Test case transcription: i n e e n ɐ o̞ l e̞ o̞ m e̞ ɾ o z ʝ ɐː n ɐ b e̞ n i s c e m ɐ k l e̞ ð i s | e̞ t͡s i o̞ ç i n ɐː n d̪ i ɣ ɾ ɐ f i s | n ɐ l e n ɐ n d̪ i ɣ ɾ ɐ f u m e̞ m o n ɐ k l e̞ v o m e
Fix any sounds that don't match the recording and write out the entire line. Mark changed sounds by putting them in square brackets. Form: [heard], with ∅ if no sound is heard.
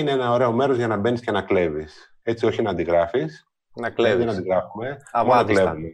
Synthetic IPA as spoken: i n e e n ɐ o̞ [ɾ] e̞ o̞ m e̞ ɾ o z ʝ [ɐ] n ɐ b e̞ n i s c e [n] ɐ k l e̞ [v] i s | e̞ t͡s i o̞ ç i n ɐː n d̪ i ɣ ɾ ɐ f i s | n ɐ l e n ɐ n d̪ i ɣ ɾ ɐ f u m e̞ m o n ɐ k l e̞ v [u] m e